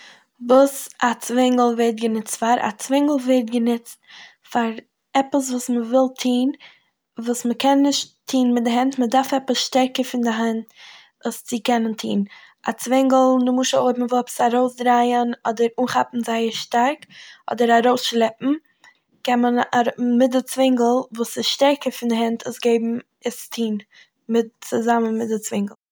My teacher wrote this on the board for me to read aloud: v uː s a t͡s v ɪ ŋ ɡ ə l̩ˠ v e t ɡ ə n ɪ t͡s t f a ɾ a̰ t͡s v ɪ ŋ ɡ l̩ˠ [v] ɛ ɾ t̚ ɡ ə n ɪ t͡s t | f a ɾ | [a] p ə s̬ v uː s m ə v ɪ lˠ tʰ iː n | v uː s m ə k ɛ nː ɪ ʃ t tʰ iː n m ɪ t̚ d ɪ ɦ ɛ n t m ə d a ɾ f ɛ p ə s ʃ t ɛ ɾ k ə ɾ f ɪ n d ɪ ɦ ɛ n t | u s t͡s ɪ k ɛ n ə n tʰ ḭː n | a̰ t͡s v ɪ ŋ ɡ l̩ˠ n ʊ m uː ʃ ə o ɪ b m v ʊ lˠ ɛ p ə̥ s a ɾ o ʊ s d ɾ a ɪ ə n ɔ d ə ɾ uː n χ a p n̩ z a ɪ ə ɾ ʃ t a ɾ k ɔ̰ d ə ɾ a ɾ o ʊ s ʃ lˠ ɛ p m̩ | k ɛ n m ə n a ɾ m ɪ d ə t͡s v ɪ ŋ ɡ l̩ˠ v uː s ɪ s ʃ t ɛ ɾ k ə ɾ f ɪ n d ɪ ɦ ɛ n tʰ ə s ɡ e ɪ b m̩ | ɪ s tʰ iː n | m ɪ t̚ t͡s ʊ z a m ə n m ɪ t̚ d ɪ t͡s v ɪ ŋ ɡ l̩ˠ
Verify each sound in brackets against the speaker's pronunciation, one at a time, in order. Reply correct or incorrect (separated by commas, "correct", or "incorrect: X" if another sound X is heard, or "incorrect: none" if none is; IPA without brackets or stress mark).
correct, incorrect: ɛ